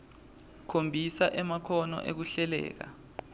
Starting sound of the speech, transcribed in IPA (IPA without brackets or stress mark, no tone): kʰ